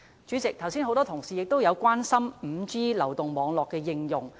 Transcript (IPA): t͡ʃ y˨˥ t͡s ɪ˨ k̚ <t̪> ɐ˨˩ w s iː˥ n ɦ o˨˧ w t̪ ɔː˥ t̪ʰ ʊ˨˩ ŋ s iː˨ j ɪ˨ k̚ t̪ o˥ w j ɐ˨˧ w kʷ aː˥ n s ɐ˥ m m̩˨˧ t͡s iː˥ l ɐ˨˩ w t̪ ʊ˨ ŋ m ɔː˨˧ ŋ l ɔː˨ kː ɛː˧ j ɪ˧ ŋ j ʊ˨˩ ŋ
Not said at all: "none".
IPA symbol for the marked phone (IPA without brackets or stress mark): t̪ʰ